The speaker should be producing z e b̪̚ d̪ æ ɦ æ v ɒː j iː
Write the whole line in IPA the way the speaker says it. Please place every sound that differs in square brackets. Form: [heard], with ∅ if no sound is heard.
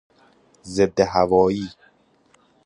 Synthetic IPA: z e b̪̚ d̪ [e] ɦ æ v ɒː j iː